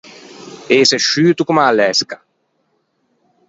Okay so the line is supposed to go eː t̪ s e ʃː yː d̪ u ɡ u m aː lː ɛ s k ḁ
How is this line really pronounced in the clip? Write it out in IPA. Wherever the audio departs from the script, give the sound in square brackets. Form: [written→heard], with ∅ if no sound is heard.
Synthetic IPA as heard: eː [t̪→∅] s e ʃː yː [d̪→t̪] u [ɡ→k] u m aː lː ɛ s k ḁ